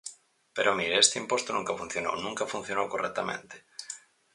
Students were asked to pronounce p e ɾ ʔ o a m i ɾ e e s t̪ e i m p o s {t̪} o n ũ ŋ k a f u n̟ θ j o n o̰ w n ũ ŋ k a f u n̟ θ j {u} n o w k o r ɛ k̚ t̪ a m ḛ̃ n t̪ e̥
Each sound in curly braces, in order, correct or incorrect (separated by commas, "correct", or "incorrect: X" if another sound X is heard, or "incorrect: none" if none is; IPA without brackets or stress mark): correct, incorrect: o